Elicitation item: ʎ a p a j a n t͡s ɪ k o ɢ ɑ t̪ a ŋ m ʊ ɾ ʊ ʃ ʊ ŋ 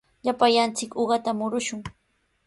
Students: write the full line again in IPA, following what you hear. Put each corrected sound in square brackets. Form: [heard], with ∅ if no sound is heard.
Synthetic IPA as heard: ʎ a p a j a n t͡s ɪ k o ɢ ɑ t̪ a [∅] m ʊ ɾ ʊ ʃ ʊ ŋ